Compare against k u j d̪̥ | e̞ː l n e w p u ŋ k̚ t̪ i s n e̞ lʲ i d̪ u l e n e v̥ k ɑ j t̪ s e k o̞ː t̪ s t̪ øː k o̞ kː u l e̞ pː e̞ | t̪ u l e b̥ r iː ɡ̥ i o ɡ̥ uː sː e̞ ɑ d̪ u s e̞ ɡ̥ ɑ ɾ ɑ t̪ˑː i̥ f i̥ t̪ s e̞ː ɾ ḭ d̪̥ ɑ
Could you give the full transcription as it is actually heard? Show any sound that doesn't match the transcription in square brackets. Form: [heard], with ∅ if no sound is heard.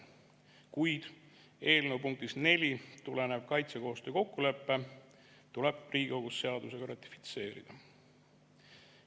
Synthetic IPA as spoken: k u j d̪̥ | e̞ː l n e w p u ŋ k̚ t̪ i s n e̞ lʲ i [t̪] u l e n e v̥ k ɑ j t̪ s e k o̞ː [∅] s t̪ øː k o̞ kː u l e̞ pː e̞ | t̪ u l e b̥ r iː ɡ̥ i o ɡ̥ [u] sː e̞ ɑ d̪ u s e̞ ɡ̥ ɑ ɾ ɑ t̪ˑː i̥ f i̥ t̪ s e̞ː ɾ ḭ d̪̥ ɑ